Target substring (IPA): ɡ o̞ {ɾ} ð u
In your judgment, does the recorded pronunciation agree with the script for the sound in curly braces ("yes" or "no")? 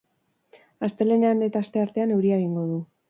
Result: no